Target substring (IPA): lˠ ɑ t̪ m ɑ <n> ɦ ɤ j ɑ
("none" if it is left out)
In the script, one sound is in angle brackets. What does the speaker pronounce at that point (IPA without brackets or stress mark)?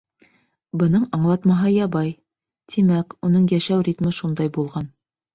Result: none